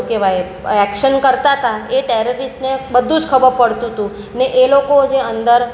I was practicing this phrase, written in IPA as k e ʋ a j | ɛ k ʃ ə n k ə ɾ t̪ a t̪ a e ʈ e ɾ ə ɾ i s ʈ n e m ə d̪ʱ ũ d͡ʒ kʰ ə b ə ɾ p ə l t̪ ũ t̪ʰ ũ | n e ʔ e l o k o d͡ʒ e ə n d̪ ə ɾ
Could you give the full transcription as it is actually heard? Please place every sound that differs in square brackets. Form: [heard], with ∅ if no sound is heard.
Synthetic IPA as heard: k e ʋ a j | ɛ k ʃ ə n k ə ɾ t̪ a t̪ a e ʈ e ɾ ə ɾ i s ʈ n e [b] ə d̪ʱ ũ d͡ʒ kʰ ə b ə ɾ p ə [ɽ] t̪ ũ [t̪] ũ | n e ʔ e l o k o d͡ʒ e ə n d̪ ə ɾ